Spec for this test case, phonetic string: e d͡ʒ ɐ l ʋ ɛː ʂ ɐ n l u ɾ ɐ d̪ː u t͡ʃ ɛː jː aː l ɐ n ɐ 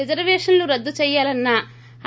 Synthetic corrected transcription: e d͡ʒ ɐ ɾ ʋ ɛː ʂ ɐ n l u ɾ ɐ d̪ː u t͡ʃ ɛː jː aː l ɐ nː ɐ

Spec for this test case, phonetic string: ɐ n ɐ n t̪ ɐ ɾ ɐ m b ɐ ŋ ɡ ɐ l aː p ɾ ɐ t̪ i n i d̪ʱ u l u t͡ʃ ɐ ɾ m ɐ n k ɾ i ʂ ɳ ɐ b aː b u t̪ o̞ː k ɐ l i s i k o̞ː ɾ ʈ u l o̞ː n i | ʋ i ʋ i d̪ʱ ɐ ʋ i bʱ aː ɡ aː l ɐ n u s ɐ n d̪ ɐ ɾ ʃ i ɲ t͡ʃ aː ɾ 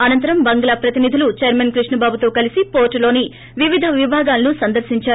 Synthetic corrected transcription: ɐ n ɐ n t̪ ɐ ɾ ɐ m b ɐ ŋ ɡ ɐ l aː p ɾ ɐ t̪ i n i d̪ʱ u l u t͡ʃ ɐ ɾ m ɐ n k ɾ i ʂ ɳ ɐ b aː b u t̪ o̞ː k ɐ l i s i p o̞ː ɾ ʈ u l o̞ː n i | ʋ i ʋ i d̪ʱ ɐ ʋ i bʱ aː ɡ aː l ɐ n u s ɐ n d̪ ɐ ɾ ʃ i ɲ t͡ʃ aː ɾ

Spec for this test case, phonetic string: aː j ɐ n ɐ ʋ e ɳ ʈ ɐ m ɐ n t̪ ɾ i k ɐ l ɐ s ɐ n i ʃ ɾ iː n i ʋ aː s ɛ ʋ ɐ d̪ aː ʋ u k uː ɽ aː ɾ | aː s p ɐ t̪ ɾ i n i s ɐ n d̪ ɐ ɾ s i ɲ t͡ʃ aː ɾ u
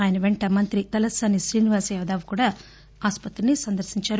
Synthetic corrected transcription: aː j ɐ n ɐ ʋ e ɳ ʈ ɐ m ɐ n t̪ ɾ i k ɐ l ɐ s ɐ n i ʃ ɾ iː n i ʋ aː s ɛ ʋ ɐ d̪ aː ʋ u k uː ɽ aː | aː s p ɐ t̪ ɾ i n i s ɐ n d̪ ɐ ɾ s i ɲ t͡ʃ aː ɾ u

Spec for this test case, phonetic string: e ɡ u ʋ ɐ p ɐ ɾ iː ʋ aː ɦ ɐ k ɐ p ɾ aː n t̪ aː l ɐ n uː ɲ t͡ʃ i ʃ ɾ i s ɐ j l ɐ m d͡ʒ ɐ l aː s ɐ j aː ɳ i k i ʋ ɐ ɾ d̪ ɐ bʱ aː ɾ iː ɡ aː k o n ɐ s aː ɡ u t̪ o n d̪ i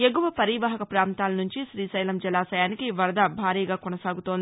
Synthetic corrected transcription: e ɡ u ʋ ɐ p ɐ ɾ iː ʋ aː ɦ ɐ k ɐ p ɾ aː n t̪ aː l ɐ n u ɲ t͡ʃ i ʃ ɾ iː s ɐ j l ɐ m d͡ʒ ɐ l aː s ɐ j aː n i k i ʋ ɐ ɾ d̪ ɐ bʱ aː ɾ iː ɡ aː k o n ɐ s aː ɡ u t̪ o n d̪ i

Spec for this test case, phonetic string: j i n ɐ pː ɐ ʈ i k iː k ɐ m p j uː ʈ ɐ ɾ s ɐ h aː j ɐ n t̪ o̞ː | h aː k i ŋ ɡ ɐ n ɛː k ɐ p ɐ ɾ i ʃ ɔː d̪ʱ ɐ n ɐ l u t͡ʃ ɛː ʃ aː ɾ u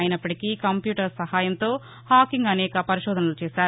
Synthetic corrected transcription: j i n ɐ pː ɐ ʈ i k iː k ɐ m p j uː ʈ ɐ ɾ s ɐ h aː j ɐ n t̪ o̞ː | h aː k i ŋ ɡ ɐ n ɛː k ɐ p ɐ ɾ i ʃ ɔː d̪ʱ ɐ n ɐ l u t͡ʃ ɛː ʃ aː ɾ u

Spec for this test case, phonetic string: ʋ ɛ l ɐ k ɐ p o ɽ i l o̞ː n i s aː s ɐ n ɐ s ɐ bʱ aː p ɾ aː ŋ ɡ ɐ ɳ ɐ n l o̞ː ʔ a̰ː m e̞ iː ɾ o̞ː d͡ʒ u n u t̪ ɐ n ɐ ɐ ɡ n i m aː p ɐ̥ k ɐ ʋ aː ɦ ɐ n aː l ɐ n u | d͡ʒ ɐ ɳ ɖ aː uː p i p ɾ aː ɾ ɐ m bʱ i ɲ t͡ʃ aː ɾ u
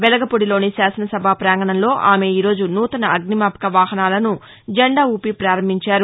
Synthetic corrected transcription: ʋ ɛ l ɐ ɡ ɐ p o ɽ i l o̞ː n i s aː s ɐ n ɐ s ɐ bʱ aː p ɾ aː ŋ ɡ ɐ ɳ ɐ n l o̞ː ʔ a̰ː m e̞ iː ɾ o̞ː d͡ʒ u n uː t̪ ɐ n ɐ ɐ ɡ n i m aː p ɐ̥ k ɐ ʋ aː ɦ ɐ n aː l ɐ n u | d͡ʒ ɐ ɳ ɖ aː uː p i p ɾ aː ɾ ɐ m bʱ i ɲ t͡ʃ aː ɾ u

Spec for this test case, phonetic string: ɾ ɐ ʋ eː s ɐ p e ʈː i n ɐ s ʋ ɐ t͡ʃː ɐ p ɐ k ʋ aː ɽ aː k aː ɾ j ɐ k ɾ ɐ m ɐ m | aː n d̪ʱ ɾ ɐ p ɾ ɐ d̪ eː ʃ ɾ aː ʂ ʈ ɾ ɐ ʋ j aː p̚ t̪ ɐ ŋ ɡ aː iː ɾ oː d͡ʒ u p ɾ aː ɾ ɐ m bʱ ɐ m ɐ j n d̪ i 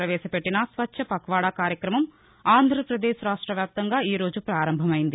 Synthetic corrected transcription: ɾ ɐ ʋ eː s ɐ p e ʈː i n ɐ s ʋ ɐ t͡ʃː ɐ p ɐ k ʋ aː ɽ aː k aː ɾ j ɐ k ɾ ɐ m ɐ m | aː n d̪ʱ ɾ ɐ p ɾ ɐ d̪ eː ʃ ɾ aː ʂ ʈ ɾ ɐ ʋ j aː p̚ t̪ ɐ ŋ ɡ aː iː ɾ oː d͡ʒ u p ɾ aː ɾ ɐ m bʱ ɐ m ɐ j n d̪ i

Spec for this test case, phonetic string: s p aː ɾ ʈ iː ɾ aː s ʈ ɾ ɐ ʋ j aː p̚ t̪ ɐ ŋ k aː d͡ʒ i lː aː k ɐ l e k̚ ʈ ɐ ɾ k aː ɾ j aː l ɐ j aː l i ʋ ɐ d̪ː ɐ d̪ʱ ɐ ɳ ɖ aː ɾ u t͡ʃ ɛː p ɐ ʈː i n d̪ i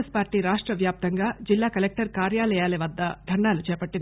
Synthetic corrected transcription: s p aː ɾ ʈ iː ɾ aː ʂ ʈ ɾ ɐ ʋ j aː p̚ t̪ ɐ ŋ ɡ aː d͡ʒ i lː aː k ɐ l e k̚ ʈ ɐ ɾ k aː ɾ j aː l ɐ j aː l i ʋ ɐ d̪ː ɐ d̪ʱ ɐ ɳ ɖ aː l u t͡ʃ ɛː p ɐ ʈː i n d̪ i

